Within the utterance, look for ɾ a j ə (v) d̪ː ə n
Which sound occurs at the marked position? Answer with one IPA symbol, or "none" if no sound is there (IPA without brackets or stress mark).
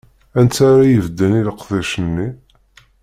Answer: v